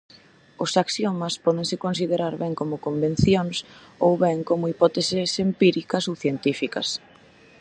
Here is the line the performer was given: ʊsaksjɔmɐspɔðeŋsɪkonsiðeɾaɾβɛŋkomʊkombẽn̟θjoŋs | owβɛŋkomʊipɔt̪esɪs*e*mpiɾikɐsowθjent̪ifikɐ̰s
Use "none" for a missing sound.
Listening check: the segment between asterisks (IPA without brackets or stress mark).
e